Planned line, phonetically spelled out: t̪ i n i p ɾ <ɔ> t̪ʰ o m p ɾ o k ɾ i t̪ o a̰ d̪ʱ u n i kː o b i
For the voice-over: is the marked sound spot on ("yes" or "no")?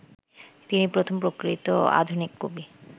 no